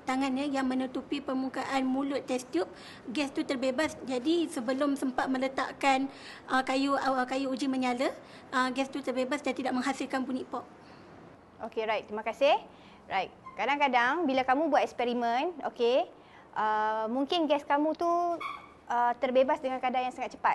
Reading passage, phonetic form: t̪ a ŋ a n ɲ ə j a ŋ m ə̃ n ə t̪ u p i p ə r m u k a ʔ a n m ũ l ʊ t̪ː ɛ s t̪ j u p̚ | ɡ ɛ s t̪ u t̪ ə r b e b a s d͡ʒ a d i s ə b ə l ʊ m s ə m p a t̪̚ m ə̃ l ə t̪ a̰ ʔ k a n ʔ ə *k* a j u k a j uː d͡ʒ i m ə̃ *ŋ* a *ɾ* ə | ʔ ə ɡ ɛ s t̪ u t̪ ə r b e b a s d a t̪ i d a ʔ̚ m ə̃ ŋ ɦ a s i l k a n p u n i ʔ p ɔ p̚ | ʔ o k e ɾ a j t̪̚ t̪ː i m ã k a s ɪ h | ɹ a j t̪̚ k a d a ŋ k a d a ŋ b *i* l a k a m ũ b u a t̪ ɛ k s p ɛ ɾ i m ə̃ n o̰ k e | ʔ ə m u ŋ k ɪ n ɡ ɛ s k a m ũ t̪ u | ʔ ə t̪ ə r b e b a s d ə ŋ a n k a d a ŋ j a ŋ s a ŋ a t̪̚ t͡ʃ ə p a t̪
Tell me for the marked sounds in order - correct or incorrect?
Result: correct, incorrect: ɲ, incorrect: l, correct

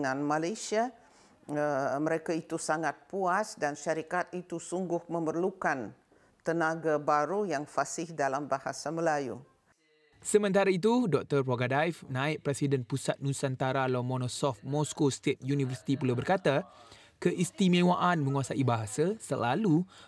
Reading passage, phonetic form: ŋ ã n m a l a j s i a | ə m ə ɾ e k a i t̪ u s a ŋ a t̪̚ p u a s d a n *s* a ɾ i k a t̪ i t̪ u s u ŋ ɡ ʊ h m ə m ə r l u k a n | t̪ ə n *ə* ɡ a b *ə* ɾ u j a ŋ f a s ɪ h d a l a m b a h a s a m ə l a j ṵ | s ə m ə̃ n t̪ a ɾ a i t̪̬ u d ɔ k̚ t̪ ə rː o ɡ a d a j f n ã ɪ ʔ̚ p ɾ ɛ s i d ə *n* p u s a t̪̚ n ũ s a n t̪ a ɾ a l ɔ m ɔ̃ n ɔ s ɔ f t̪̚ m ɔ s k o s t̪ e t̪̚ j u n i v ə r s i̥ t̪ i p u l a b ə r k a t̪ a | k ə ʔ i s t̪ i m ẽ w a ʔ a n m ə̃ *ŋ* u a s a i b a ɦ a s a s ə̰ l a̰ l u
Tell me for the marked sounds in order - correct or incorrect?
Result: incorrect: ʃ, incorrect: a, incorrect: a, correct, correct

